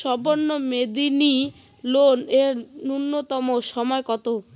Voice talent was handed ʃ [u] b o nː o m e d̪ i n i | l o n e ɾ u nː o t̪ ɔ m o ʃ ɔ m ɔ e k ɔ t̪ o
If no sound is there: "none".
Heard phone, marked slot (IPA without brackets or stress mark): ɔ